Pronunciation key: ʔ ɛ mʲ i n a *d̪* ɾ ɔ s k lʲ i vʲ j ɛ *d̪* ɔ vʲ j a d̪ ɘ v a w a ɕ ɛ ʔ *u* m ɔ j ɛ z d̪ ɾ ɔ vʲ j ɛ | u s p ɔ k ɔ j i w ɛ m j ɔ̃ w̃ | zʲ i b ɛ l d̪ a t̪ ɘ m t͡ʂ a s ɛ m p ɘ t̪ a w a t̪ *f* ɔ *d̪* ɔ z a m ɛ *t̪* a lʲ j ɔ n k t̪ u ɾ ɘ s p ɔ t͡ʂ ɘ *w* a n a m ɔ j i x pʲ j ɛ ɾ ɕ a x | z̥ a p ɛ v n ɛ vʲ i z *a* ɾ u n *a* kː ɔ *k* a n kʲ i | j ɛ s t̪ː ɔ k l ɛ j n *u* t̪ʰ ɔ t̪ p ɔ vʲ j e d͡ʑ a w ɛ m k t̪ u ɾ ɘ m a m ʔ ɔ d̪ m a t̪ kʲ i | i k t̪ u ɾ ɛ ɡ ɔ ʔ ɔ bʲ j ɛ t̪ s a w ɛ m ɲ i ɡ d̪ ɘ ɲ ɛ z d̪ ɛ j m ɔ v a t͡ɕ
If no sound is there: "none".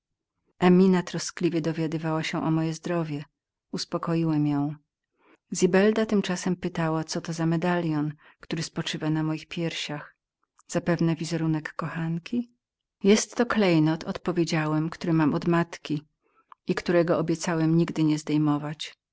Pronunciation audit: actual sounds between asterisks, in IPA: t̪, d̪, ɔ, s, t̪, d̪, v, ɛ, ɛ, x, ɔ

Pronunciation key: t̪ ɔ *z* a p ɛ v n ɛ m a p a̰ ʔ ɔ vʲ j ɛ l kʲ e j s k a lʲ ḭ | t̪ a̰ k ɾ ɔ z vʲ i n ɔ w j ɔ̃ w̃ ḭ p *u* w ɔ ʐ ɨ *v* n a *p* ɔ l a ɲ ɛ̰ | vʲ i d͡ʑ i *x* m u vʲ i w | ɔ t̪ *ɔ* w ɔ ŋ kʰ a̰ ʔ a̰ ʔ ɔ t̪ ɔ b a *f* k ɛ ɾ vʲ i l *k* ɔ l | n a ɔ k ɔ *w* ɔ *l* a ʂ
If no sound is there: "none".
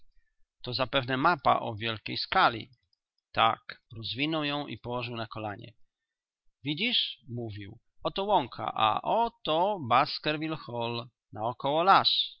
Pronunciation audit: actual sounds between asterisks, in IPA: z, ɔ, w, k, ʂ, ɔ, s, x, w, l

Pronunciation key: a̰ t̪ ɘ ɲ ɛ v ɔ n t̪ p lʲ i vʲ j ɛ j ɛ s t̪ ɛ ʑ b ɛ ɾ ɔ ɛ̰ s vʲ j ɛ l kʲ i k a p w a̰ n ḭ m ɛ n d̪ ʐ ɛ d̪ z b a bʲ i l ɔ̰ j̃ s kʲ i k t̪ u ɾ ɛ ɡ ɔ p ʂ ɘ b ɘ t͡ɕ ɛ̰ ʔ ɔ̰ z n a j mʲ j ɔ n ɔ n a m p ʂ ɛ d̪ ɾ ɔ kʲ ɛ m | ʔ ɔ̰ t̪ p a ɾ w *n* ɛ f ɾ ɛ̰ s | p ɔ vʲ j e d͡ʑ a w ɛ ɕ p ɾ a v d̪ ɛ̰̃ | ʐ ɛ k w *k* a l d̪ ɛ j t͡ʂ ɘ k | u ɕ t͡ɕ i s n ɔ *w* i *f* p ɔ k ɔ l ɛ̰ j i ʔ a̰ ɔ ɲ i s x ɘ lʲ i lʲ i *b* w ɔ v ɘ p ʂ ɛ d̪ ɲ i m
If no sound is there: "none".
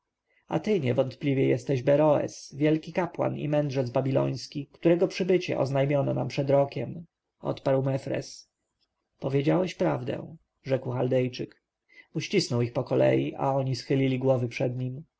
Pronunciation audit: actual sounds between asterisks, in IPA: m, x, w, x, ɡ

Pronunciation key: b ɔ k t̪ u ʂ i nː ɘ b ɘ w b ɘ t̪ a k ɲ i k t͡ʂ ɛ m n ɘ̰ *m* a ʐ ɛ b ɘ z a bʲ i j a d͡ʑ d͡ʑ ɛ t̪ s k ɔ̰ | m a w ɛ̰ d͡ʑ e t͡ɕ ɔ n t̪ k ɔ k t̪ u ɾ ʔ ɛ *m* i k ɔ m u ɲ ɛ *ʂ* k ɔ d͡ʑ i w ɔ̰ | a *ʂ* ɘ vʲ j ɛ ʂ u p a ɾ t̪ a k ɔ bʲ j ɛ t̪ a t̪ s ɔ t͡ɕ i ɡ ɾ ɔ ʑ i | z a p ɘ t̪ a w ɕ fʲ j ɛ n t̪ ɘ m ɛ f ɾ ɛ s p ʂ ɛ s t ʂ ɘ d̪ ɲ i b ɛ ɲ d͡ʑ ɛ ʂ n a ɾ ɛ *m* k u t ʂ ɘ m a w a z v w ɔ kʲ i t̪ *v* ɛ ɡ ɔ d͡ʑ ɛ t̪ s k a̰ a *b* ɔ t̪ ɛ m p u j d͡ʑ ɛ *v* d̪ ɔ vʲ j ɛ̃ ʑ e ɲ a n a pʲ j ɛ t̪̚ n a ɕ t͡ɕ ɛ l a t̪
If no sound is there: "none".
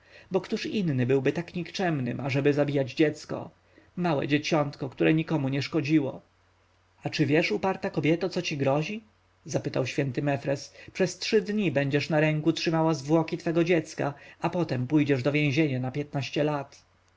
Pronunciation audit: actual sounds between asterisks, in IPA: m, ɲ, ʂ, t͡ʂ, ŋ, f, p, ʐ

